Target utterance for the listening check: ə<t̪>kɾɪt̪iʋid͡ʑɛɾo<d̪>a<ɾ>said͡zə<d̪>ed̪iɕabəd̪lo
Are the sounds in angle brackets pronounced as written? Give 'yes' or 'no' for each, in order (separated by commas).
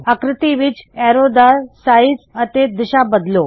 no, yes, yes, no